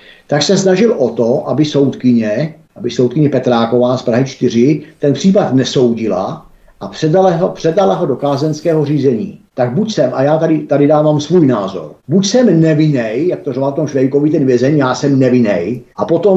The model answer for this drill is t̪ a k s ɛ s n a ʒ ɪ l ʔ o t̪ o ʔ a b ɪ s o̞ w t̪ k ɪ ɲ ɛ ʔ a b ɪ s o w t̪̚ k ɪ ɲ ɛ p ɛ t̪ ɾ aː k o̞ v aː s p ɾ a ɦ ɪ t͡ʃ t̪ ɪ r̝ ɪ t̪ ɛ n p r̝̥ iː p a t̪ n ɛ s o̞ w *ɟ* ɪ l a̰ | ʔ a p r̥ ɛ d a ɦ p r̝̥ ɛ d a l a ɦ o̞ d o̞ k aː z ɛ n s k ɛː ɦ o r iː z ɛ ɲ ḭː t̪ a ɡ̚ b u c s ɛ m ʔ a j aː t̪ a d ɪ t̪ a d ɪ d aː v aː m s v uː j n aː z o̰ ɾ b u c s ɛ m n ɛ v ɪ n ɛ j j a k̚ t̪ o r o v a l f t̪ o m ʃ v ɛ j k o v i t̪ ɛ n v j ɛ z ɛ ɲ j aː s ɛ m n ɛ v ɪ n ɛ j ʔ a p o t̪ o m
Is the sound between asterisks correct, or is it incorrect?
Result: correct